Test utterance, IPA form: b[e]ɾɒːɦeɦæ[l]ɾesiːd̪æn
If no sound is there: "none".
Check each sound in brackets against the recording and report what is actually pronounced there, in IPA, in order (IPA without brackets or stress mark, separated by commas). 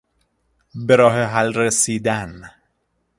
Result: e, l